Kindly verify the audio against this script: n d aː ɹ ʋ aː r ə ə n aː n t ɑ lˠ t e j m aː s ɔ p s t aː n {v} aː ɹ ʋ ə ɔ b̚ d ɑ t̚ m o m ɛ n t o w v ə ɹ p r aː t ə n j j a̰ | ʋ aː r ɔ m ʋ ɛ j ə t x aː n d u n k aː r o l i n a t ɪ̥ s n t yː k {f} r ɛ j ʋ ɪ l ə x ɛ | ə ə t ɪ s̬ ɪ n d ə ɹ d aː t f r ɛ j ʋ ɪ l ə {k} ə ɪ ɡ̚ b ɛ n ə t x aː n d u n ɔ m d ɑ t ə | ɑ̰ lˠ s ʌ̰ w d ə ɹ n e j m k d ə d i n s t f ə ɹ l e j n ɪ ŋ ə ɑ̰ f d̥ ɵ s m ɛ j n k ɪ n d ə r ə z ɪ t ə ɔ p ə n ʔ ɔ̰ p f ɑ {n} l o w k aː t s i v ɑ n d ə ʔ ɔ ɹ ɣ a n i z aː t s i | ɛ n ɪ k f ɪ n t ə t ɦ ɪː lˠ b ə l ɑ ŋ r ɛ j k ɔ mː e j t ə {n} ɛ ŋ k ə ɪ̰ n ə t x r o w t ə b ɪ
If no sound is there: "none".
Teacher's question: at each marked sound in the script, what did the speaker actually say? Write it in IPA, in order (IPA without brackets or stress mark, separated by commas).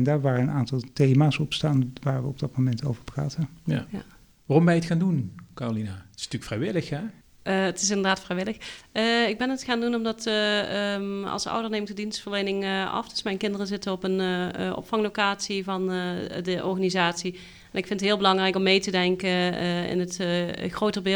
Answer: ʋ, f, x, ŋ, d